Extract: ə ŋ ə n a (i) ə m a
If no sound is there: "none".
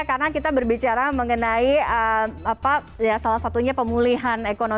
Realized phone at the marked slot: i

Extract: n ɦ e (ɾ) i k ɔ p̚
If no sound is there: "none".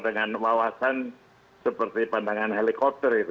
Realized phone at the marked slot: l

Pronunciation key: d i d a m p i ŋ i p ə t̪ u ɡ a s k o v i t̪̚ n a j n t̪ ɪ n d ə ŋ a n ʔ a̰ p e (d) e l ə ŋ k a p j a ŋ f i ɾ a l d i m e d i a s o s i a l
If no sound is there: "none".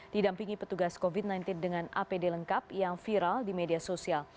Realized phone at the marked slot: d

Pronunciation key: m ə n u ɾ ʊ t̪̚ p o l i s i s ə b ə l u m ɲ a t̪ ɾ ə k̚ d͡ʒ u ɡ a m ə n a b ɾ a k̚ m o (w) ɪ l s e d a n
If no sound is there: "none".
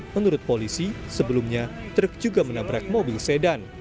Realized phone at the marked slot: b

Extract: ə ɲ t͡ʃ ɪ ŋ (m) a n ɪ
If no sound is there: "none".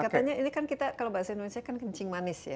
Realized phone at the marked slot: m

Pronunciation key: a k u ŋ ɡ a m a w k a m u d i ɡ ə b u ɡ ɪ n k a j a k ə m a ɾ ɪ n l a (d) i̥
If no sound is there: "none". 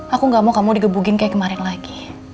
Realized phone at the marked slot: ɡ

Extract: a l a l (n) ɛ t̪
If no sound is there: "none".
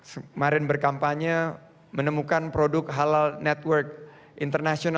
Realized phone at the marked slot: n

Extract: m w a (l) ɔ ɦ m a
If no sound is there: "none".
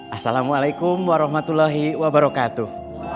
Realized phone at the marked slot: ɾ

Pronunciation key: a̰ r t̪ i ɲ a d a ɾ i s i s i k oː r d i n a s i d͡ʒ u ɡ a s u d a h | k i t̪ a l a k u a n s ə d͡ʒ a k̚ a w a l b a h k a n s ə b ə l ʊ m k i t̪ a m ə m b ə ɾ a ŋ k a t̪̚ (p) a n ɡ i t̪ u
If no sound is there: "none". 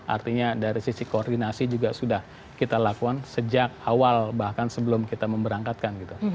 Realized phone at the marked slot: k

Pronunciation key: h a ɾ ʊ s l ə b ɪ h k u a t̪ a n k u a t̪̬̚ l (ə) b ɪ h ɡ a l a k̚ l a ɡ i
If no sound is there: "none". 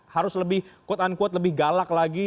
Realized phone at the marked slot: ə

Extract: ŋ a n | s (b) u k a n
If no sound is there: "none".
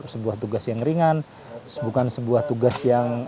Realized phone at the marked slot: b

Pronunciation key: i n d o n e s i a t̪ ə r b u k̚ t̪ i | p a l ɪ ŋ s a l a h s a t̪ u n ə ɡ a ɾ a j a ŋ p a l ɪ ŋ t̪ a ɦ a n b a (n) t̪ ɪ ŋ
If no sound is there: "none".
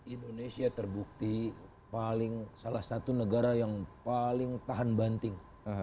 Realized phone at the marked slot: n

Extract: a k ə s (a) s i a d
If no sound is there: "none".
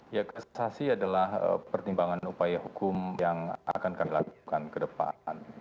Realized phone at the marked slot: a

